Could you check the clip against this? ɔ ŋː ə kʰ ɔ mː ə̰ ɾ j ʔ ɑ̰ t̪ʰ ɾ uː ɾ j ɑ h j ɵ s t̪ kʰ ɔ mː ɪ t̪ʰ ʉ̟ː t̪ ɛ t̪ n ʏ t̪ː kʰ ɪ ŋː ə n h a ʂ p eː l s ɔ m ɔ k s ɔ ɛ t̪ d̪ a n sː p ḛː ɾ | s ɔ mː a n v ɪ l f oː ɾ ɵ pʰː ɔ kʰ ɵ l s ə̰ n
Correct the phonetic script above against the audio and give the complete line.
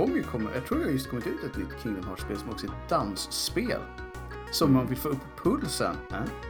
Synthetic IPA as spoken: ɔ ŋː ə kʰ ɔ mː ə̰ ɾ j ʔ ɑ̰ t̪ʰ ɾ uː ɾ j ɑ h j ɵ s t̪ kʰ ɔ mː ɪ t̪ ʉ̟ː t̪ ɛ t̪ n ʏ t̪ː kʰ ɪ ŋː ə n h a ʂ p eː l s ɔ m ɔ k s ɔ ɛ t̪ d̪ a n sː p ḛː l | s ɔ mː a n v ɪ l f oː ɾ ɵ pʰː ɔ pʰ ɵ l s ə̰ n